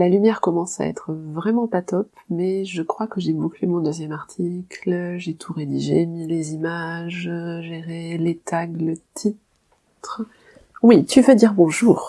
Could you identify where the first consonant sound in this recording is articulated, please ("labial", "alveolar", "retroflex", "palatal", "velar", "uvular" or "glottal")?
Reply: alveolar